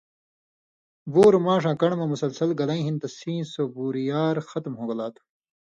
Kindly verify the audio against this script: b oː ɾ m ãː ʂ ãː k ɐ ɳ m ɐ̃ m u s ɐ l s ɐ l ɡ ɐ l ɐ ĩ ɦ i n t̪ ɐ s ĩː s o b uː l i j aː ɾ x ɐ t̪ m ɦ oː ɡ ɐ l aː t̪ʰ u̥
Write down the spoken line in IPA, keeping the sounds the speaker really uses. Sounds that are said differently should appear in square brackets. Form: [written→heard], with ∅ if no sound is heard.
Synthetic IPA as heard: b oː ɾ m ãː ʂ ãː k ɐ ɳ m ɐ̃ m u s ɐ l s ɐ l ɡ ɐ l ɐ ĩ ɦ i n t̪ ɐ s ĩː s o b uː [l→ɾ] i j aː ɾ x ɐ t̪ m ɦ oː ɡ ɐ l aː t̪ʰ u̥

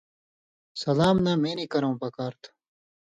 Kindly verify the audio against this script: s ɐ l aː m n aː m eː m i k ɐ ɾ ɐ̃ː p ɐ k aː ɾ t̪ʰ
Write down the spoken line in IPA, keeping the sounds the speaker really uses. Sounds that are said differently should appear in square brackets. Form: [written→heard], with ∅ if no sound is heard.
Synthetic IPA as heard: s ɐ l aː m n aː m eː [m→n] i k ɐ ɾ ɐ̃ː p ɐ k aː ɾ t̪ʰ

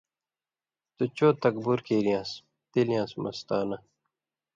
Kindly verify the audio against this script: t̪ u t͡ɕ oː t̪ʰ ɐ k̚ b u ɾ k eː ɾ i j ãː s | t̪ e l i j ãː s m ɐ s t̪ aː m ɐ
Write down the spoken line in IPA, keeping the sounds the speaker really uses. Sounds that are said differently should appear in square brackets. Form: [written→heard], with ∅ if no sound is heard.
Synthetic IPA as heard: t̪ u t͡ɕ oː [t̪ʰ→t̪] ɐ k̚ b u ɾ k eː ɾ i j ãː s | t̪ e l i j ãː s m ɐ s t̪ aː [m→n] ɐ

